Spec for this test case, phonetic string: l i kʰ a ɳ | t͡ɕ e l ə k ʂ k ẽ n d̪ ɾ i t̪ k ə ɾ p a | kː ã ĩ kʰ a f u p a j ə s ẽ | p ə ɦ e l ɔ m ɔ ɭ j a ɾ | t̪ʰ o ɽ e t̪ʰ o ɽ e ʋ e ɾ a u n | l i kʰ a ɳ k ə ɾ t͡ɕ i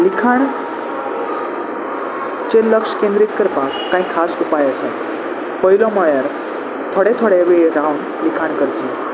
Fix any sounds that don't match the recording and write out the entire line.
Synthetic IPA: l i kʰ a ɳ | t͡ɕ e l ə k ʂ k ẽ n d̪ ɾ i t̪ k ə ɾ p a | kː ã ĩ kʰ a s u p a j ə s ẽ | p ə ɦ i l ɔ m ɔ ɭ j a ɾ | t̪ʰ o ɽ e t̪ʰ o ɽ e ʋ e ɾ a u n | l i kʰ a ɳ k ə ɾ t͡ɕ i

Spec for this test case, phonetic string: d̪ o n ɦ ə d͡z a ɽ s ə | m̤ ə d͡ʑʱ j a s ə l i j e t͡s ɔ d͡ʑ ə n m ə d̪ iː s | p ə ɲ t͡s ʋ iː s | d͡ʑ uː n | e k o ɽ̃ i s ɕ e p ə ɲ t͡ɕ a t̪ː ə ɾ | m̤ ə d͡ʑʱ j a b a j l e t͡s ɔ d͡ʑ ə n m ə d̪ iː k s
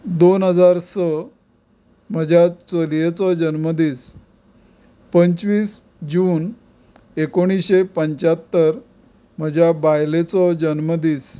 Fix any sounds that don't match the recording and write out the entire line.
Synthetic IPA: d̪ o n ɦ ə d͡z a ɾ s ə | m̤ ə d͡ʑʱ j a t͡s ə l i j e t͡s ɔ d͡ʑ ə n m ə d̪ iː s | p ə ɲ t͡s ʋ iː s | d͡ʑ uː n | e k o ɽ̃ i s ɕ e p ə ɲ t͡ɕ a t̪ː ə ɾ | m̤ ə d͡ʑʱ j a b a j l e t͡s ɔ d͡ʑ ə n m ə d̪ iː s

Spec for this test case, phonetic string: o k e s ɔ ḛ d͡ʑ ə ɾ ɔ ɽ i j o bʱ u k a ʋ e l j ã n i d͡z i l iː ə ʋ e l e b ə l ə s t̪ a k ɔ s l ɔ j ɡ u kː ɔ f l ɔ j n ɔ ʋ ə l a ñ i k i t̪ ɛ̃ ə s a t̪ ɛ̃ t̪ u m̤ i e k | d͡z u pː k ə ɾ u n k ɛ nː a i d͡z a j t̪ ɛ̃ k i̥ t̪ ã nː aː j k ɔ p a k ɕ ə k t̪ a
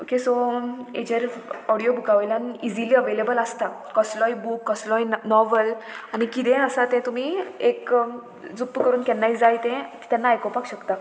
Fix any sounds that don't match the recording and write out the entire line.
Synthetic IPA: o k e s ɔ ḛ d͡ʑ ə ɾ ɔ ɽ i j o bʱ u k a ʋ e l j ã n i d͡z i l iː ə ʋ e l e b ə l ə s t̪ a k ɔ s l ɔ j b u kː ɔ s l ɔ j n ɔ ʋ ə l a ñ i k i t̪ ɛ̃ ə s a t̪ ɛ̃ t̪ u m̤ i e k | d͡z u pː k ə ɾ uː n k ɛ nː a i d͡z a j t̪ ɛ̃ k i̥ t̪ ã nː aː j k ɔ p a k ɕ ə k t̪ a

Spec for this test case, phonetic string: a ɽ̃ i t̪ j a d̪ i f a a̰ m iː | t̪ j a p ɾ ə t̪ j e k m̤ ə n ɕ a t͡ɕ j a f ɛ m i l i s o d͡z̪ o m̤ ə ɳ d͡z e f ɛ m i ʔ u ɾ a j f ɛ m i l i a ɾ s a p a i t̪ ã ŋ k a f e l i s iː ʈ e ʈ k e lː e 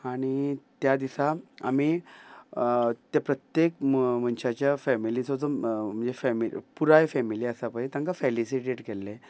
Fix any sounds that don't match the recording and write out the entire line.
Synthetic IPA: a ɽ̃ i t̪ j a d̪ i s a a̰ m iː | t̪ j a p ɾ ə t̪ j e k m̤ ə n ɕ a t͡ɕ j a f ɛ m i l i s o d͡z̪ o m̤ ə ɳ d͡z e f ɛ m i p u ɾ a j f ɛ m i l i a s a p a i t̪ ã ŋ k a f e l i s i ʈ e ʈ k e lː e

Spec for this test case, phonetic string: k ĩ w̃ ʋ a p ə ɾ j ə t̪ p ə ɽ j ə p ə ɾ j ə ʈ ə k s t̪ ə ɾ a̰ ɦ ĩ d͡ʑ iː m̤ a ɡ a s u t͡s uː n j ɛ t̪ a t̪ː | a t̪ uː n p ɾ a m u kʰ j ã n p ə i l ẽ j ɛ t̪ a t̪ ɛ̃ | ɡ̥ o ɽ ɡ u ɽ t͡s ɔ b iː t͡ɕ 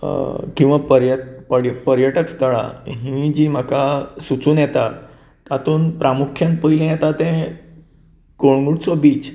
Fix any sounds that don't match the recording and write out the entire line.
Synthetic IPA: k ĩ w̃ ʋ a p ə ɾ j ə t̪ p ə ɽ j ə p ə ɾ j ə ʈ ə k s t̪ ə ɭ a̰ ɦ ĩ d͡ʑ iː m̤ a k a s u t͡s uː n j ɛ t̪ a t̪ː | a t̪ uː n p ɾ a m u kʰ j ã n p ə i l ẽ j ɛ t̪ a t̪ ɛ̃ | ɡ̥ o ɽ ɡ u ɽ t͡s ɔ b iː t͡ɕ

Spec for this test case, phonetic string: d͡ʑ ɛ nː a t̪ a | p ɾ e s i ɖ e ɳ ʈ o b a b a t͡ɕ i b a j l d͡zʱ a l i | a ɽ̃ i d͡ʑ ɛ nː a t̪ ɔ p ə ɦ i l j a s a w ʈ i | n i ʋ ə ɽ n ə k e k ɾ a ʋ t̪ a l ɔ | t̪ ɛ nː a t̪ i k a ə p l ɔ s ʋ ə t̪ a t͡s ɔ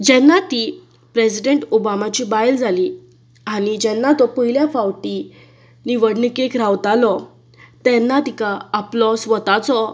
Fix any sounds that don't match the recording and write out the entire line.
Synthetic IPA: d͡ʑ ɛ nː a t̪ i | p ɾ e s i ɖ e ɳ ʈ o b a m a t͡ɕ i b a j l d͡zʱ a l i | a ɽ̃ i d͡ʑ ɛ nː a t̪ ɔ p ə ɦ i l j a f a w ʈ i | n i ʋ ə ɽ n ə k e k ɾ a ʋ t̪ a l ɔ | t̪ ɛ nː a t̪ i k a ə p l ɔ s ʋ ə t̪ a t͡s ɔ

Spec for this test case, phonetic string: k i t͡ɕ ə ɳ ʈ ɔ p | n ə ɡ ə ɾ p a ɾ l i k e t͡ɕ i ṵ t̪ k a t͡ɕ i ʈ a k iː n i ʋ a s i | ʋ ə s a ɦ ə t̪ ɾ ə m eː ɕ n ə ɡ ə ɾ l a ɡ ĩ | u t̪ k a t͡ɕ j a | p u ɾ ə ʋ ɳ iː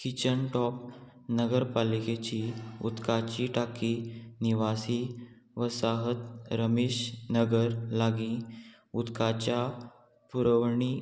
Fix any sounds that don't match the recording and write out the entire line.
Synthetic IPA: k i t͡ɕ ə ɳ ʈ ɔ p | n ə ɡ ə ɾ p a l i k e t͡ɕ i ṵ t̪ k a t͡ɕ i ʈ a k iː n i ʋ a s i | ʋ ə s a ɦ ə t̪ ɾ ə m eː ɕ n ə ɡ ə ɾ l a ɡ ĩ | u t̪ k a t͡ɕ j a | p u ɾ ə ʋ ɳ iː

